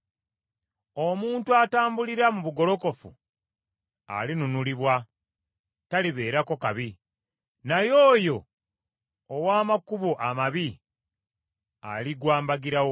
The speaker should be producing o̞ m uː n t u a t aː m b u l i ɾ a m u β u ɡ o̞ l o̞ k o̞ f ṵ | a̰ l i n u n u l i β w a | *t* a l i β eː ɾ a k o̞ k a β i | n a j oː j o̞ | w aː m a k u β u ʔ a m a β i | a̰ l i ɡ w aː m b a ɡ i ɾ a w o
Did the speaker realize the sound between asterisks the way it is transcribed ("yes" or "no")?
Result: yes